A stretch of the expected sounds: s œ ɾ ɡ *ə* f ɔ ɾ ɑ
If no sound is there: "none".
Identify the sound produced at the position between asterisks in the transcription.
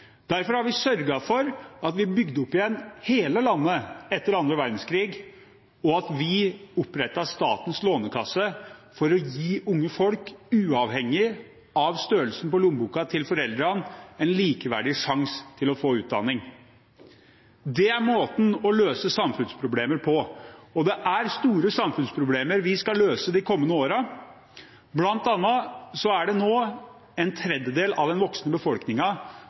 ɑ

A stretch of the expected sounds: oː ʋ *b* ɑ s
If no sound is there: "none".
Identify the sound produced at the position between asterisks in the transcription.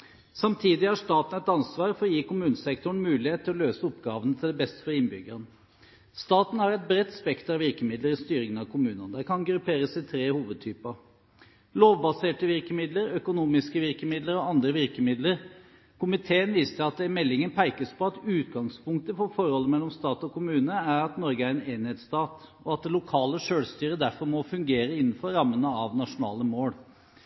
b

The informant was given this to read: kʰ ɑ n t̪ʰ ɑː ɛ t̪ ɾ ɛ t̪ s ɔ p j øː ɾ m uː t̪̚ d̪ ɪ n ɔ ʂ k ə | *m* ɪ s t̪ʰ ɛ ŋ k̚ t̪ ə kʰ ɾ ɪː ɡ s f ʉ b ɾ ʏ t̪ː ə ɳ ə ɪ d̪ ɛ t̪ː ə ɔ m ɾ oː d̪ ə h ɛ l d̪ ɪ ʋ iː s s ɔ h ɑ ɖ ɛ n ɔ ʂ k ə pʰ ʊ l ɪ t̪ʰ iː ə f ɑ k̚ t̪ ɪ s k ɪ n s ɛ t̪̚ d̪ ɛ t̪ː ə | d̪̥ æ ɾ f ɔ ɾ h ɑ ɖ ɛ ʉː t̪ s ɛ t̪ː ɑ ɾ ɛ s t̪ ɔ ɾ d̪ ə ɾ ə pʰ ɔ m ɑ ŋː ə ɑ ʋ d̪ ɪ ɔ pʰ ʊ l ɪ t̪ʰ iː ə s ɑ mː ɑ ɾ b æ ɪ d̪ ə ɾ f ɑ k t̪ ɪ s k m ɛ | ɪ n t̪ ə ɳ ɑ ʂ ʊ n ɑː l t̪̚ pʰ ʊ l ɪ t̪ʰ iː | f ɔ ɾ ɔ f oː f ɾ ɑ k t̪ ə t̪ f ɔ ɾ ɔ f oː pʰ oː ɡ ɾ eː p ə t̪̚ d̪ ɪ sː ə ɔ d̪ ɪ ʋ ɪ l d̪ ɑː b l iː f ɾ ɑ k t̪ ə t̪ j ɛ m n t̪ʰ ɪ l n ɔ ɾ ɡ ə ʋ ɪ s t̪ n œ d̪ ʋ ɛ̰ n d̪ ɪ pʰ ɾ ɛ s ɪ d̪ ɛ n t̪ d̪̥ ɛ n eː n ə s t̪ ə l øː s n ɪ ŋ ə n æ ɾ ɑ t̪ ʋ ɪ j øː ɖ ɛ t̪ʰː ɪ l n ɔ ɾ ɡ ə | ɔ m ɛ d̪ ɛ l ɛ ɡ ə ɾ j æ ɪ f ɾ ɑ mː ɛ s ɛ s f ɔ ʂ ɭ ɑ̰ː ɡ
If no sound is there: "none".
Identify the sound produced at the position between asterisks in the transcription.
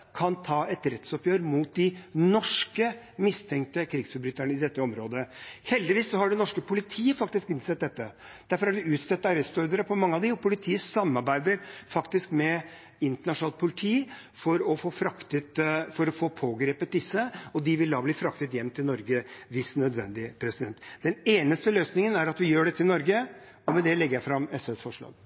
m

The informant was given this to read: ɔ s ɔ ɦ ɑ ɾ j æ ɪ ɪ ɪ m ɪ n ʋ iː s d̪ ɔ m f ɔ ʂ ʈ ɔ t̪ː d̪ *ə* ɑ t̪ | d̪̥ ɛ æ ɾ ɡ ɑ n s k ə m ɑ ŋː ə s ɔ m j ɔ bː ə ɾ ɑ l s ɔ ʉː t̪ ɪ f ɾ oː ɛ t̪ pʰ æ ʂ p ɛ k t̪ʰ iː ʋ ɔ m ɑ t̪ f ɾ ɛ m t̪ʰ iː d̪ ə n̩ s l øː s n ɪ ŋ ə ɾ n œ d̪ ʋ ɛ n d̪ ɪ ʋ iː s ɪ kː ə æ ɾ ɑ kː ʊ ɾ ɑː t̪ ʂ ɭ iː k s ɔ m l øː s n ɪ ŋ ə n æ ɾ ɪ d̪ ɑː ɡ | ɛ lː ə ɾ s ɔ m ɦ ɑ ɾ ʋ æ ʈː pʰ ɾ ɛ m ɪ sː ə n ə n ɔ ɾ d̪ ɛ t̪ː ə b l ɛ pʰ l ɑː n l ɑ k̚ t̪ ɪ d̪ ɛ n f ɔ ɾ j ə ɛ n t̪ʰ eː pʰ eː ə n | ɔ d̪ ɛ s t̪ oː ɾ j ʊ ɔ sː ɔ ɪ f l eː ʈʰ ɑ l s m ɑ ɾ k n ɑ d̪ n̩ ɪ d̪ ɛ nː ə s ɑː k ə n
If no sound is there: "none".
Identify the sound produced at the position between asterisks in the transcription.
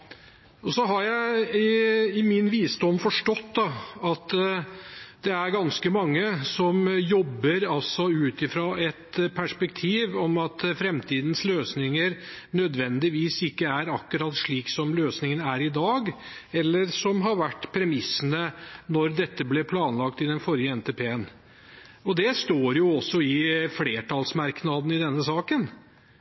ɑ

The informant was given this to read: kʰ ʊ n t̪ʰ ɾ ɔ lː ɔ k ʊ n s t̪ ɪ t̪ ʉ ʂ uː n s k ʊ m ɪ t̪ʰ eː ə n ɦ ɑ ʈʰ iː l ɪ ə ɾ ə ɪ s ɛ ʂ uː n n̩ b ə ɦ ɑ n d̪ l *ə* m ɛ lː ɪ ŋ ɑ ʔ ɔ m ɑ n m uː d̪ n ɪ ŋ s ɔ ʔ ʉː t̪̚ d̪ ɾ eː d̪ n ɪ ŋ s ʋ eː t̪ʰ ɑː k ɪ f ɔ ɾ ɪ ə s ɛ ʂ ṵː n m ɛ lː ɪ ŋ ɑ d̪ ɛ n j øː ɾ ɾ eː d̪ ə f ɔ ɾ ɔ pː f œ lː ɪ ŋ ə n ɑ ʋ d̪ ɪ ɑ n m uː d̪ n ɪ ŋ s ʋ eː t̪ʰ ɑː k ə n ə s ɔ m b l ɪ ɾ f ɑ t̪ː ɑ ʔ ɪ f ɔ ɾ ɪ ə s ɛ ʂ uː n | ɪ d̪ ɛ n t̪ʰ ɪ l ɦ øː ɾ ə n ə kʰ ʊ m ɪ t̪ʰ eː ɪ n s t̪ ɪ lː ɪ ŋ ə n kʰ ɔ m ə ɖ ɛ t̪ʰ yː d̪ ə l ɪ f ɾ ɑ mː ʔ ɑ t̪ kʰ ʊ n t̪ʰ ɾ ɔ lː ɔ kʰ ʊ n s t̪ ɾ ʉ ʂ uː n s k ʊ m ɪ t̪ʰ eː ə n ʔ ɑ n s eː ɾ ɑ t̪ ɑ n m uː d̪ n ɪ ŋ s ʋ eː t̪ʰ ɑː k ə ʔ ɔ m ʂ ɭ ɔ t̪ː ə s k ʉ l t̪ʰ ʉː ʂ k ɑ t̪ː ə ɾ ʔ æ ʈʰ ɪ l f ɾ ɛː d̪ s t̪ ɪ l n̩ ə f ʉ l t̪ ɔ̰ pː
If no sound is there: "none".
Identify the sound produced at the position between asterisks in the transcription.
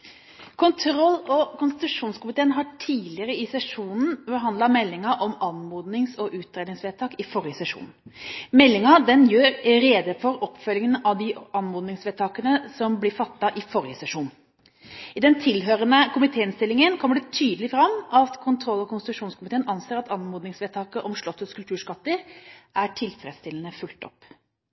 ɑ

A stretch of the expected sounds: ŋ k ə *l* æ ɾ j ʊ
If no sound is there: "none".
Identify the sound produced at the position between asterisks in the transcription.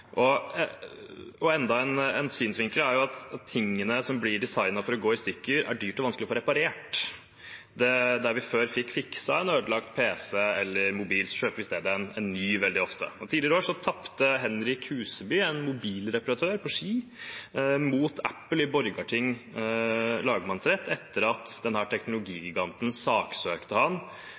l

